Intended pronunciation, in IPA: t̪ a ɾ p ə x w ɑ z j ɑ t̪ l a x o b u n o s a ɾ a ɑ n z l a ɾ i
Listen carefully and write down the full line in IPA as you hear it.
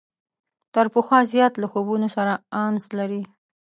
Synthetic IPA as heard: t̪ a ɾ p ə x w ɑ z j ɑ t̪ l a x o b u n o s a ɾ a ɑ n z l a ɾ i